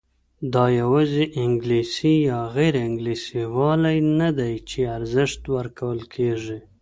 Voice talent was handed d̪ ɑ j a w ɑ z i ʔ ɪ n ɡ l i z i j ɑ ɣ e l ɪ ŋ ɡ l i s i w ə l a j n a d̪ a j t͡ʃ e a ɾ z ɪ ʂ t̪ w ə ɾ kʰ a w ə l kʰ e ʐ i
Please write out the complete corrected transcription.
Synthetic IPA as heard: d̪ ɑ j a w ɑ z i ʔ ɪ ŋ ɡ l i s i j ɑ ɣ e ɾ ɪ ŋ ɡ l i s i w ɑ l a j n a d̪ a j t͡ʃ e a ɾ z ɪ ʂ t̪ w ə ɾ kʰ a w ə l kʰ e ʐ i